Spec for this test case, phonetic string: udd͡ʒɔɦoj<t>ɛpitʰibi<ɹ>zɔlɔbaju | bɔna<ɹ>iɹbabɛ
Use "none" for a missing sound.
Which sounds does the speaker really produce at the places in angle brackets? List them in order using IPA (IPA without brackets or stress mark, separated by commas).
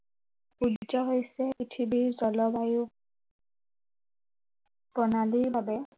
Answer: s, ɹ, l